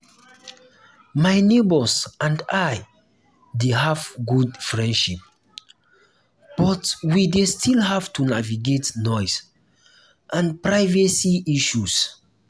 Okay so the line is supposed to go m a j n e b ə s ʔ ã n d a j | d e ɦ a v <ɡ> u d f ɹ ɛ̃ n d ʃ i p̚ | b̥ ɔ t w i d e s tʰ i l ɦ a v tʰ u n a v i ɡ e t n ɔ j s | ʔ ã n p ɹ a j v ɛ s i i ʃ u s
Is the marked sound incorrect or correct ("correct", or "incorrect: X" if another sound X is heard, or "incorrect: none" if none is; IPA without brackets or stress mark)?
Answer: correct